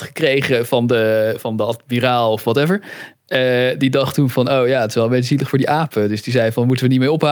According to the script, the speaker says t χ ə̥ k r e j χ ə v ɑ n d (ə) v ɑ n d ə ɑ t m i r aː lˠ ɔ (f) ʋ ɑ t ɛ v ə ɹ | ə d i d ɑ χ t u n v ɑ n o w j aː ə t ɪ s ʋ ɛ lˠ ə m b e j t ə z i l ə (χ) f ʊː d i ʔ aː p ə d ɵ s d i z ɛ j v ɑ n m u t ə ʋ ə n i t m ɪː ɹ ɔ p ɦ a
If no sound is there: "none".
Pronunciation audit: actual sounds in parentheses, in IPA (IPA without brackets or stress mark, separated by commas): ə, f, χ